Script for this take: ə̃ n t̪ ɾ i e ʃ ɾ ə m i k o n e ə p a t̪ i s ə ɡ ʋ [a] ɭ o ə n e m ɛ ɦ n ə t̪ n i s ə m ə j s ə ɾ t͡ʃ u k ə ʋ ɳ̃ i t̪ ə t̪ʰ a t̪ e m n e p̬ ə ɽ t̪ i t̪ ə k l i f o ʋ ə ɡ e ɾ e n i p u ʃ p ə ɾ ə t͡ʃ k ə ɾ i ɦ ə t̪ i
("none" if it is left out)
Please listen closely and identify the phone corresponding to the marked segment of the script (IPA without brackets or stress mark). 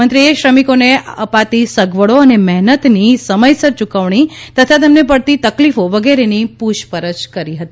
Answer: ə